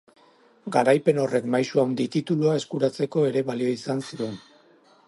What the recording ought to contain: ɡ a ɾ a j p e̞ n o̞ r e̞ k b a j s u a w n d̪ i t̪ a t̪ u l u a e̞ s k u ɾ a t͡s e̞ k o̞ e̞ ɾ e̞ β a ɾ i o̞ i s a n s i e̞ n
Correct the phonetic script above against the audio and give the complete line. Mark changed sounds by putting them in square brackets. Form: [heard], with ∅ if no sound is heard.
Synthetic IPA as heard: ɡ a ɾ a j p e̞ n o̞ r e̞ k [m] a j s u a w n d̪ i t̪ [i] t̪ u l u a e̞ s k u ɾ a t͡s e̞ k o̞ e̞ ɾ e̞ β a [l] i o̞ i s a n s i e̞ n